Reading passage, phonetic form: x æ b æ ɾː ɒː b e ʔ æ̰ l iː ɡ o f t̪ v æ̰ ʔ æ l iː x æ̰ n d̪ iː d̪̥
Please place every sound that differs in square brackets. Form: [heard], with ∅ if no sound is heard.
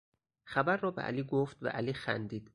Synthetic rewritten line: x æ b æ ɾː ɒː b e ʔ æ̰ l iː ɡ o f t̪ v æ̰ ʔ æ l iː x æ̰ n d̪ iː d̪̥